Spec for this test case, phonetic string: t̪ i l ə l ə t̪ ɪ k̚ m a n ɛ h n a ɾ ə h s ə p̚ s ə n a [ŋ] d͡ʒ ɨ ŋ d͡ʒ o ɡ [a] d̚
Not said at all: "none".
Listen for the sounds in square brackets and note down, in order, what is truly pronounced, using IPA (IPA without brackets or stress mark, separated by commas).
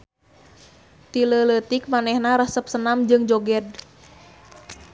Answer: m, ɛ